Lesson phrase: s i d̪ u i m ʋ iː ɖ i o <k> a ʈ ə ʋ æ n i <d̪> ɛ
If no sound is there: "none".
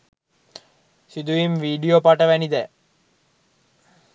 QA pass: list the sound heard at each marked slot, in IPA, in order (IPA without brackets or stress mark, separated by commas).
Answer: p, d̪